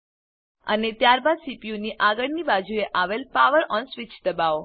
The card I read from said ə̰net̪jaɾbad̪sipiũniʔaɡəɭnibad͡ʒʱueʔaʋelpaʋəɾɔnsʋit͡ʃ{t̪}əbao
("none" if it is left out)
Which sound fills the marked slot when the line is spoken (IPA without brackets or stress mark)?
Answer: d̪